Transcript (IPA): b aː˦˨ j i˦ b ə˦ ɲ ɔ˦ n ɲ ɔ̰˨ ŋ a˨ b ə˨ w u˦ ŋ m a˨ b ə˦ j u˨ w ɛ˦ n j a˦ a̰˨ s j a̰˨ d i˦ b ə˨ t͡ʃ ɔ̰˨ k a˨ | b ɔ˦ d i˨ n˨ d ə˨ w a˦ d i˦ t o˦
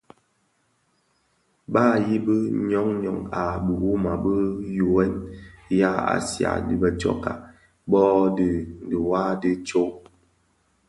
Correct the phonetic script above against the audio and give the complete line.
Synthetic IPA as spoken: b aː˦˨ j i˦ b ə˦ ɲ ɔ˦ ŋ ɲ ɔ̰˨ ŋ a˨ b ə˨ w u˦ m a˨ b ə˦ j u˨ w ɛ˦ n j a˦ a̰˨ s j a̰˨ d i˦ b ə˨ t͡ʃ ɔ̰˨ k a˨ | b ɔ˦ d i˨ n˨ d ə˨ w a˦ d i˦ t͡ʃ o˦